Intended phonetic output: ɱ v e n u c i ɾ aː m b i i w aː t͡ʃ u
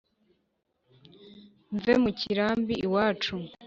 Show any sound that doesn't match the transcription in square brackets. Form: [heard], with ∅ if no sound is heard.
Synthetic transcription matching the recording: ɱ v e [m] u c i ɾ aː m b i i w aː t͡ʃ u